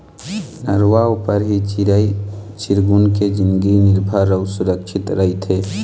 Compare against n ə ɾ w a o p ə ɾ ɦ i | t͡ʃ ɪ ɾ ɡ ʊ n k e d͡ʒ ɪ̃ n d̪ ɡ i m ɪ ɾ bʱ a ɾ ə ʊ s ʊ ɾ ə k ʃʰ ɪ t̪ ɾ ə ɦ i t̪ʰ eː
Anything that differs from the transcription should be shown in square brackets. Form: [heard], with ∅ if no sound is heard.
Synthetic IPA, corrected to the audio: n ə ɾ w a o p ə ɾ ɦ i | t͡ʃ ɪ ɾ ɡ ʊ n k e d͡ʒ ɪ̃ n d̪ ɡ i [n] ɪ ɾ bʱ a ɾ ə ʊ s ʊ ɾ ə k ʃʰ ɪ t̪ ɾ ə ɦ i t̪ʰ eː